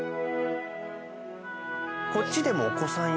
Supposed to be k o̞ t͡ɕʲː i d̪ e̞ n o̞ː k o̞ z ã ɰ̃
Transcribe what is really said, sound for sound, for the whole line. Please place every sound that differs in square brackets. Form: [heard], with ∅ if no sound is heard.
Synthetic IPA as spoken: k o̞ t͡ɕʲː i d̪ e̞ [m] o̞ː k o̞ [s] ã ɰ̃